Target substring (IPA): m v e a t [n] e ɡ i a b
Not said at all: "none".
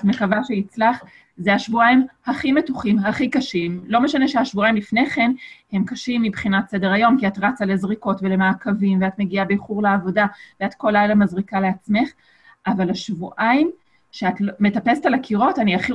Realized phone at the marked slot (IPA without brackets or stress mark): m